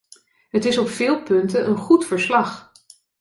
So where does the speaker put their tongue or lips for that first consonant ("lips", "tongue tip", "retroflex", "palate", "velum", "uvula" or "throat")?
throat